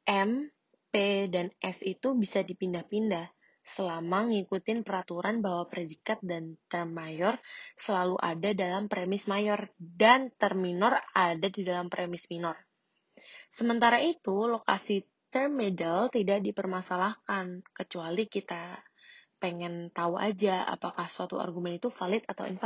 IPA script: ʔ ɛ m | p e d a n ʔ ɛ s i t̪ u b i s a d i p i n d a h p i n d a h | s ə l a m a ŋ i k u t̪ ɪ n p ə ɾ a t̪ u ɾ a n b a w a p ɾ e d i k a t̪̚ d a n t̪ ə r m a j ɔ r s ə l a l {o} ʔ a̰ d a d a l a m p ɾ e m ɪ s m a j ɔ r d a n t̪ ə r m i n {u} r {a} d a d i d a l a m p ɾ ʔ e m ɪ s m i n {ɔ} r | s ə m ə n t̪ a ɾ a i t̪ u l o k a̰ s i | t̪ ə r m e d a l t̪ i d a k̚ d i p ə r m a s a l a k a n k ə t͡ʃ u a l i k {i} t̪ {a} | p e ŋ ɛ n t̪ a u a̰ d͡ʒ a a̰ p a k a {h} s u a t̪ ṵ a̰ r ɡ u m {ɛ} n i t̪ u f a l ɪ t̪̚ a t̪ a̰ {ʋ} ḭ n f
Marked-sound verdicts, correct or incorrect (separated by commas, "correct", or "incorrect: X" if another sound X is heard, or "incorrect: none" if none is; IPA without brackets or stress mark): incorrect: u, incorrect: ɔ, correct, correct, correct, correct, correct, correct, incorrect: w